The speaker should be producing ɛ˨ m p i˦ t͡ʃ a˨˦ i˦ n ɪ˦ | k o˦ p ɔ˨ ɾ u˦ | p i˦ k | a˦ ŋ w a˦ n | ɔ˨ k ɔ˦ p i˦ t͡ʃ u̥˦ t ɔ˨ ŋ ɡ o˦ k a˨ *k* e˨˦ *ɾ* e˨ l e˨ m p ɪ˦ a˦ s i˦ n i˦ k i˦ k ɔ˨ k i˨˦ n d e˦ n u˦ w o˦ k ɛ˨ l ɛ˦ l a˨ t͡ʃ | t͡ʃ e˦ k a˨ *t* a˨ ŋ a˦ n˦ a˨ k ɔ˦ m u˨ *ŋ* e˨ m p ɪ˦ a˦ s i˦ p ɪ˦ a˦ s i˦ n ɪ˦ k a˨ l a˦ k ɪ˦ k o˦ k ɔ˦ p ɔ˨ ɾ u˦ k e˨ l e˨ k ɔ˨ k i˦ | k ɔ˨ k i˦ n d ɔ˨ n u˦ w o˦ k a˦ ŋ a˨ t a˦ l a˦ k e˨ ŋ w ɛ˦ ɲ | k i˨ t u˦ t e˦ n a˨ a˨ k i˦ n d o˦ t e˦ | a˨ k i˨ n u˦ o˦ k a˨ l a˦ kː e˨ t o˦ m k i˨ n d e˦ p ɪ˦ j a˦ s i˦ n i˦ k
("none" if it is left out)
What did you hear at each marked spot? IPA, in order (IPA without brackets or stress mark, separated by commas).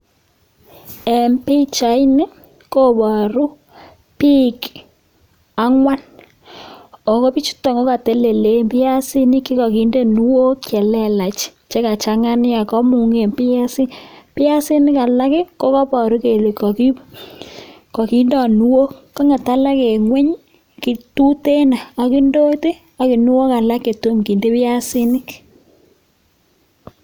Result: t, l, t͡ʃ, ŋ